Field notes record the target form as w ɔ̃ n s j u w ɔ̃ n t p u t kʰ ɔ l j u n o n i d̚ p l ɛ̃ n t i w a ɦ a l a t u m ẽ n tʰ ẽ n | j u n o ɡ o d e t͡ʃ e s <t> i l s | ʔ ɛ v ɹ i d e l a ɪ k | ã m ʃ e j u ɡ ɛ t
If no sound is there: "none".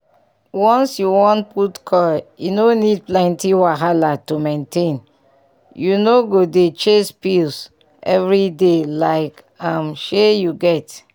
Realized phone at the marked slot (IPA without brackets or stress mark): p